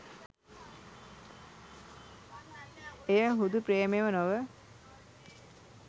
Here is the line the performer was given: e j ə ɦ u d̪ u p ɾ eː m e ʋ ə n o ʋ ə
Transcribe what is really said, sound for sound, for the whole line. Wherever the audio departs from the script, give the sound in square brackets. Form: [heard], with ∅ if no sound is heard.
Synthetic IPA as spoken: e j ə ɦ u d̪ u p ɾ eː m e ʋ ə n o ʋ ə